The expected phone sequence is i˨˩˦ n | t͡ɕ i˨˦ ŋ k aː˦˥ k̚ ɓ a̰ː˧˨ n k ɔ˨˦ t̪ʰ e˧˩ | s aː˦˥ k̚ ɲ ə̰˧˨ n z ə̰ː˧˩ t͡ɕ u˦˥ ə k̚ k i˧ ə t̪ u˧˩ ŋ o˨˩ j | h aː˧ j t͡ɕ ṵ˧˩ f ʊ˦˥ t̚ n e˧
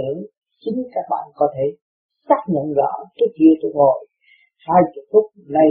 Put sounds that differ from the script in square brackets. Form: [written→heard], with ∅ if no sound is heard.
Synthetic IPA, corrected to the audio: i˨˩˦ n | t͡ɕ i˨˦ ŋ k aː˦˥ k̚ ɓ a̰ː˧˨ n k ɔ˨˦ t̪ʰ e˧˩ | s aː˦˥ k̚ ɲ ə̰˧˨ n z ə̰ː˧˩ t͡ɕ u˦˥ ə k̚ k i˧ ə t̪ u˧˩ ŋ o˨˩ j | h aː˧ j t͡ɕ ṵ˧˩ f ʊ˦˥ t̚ n [e˧→a˧]